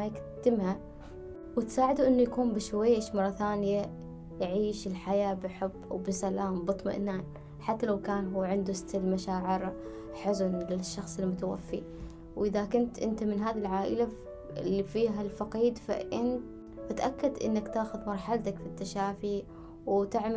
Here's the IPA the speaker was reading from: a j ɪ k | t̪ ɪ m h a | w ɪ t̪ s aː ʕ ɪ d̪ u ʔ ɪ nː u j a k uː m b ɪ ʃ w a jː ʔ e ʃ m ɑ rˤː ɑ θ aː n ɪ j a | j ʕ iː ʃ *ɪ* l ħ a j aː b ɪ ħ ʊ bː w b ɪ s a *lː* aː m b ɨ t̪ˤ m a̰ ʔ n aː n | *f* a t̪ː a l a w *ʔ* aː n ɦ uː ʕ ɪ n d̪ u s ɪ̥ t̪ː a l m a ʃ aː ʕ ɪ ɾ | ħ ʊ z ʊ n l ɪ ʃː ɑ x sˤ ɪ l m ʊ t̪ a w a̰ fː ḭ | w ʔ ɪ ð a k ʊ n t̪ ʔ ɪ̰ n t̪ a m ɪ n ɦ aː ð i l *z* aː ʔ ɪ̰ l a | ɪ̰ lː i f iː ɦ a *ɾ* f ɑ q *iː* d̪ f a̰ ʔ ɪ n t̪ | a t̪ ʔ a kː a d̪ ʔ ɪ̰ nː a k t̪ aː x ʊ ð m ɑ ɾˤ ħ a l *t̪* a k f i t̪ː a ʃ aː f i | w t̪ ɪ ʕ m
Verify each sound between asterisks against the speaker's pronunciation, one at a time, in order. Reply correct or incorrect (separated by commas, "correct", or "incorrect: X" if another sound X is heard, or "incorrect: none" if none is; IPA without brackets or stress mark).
correct, incorrect: l, incorrect: ħ, incorrect: k, incorrect: ʕ, incorrect: l, correct, correct